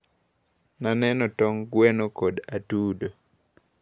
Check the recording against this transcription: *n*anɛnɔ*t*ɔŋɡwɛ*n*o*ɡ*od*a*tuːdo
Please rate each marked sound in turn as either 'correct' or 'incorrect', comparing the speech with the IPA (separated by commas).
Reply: correct, correct, correct, incorrect, correct